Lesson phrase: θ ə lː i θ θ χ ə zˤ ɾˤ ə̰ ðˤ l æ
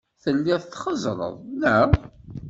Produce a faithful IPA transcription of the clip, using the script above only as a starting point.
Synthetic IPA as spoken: θ ə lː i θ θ χ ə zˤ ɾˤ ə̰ ðˤ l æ